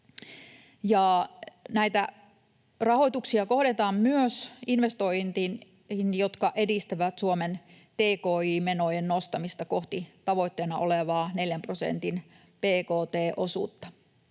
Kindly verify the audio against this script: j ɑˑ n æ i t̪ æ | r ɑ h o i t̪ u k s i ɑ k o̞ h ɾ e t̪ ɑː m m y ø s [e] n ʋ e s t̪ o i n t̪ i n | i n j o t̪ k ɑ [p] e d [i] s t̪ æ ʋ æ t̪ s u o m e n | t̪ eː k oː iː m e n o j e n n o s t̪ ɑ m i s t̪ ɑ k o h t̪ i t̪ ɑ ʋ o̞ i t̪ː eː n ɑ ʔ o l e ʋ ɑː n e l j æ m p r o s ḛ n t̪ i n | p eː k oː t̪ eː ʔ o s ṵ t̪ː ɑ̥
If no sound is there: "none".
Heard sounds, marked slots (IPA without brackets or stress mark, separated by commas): i, ʔ, i